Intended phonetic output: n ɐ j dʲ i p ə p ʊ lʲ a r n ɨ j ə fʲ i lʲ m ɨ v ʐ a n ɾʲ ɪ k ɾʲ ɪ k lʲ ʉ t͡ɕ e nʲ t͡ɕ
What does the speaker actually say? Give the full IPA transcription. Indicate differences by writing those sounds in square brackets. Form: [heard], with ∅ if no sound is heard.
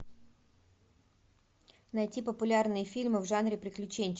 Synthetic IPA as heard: n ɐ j [tʲ] i p ə p ʊ lʲ a r n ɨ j ə fʲ i lʲ m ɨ v ʐ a n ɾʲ ɪ [p] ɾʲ ɪ k lʲ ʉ t͡ɕ e nʲ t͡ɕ